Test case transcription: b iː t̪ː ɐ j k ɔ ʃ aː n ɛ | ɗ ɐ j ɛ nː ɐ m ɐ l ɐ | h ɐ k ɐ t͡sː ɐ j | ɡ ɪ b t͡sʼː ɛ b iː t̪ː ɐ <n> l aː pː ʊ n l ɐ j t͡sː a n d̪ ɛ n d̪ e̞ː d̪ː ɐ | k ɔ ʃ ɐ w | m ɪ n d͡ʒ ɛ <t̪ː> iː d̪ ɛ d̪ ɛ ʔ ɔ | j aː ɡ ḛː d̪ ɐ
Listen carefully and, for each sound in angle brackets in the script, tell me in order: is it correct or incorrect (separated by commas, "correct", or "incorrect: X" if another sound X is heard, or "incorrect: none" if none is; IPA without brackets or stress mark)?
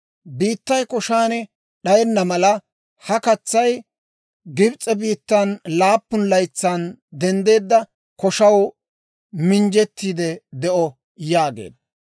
correct, correct